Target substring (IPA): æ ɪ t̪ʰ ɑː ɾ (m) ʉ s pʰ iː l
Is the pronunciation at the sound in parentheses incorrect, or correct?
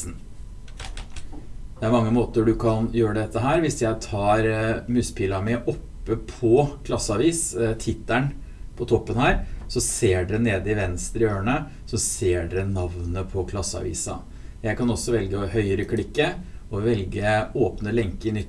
correct